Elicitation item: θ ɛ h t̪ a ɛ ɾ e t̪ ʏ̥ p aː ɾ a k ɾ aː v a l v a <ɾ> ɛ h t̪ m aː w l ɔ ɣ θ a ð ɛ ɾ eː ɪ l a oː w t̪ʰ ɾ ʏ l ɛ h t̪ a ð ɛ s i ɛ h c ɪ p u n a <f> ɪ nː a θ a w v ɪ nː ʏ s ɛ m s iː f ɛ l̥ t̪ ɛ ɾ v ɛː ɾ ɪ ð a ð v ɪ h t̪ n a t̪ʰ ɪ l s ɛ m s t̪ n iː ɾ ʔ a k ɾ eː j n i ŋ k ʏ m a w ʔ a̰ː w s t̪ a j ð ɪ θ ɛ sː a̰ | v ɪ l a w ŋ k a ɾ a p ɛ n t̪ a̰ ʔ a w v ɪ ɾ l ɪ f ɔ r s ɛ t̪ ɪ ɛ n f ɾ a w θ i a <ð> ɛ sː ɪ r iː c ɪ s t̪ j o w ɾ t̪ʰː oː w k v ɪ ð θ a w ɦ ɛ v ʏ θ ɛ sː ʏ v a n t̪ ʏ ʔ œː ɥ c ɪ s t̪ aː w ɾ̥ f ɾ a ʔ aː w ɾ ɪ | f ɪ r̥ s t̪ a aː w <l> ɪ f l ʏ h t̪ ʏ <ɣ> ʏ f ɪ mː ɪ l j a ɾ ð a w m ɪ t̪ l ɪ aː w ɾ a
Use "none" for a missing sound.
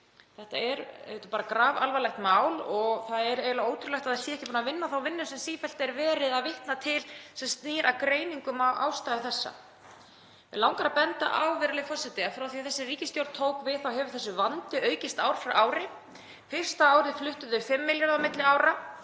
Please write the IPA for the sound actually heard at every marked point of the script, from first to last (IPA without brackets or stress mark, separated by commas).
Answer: l, v, θ, ɾ, ð